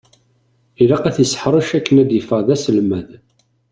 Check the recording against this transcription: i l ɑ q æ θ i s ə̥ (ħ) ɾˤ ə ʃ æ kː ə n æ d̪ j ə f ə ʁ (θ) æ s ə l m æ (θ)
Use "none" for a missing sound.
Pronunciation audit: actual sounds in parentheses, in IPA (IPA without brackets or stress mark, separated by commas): ħ, ð, ð